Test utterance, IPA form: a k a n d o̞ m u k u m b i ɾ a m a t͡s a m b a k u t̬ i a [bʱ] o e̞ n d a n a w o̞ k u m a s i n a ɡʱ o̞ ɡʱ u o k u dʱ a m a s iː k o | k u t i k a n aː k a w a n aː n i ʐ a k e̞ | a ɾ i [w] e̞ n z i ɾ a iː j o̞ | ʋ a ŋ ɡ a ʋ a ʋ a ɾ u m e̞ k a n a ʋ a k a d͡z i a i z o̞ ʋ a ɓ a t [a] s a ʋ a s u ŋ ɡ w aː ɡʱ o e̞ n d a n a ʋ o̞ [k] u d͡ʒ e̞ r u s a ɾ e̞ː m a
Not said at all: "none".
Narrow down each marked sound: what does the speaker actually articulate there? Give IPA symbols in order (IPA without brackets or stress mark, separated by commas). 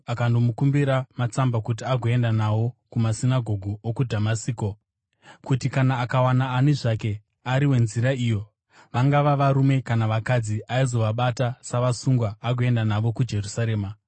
ɡʱ, w, a, k